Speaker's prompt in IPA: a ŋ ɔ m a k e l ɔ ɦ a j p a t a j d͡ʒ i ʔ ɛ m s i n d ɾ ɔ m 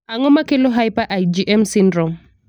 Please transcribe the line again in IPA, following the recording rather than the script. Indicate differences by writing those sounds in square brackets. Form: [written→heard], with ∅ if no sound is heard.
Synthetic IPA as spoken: a ŋ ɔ m a k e l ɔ ɦ a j p a [t→ʔ] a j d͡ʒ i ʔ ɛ m s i n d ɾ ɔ m